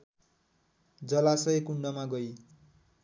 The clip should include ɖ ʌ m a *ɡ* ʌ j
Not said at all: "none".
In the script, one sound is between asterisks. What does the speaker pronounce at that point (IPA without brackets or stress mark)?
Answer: ɡ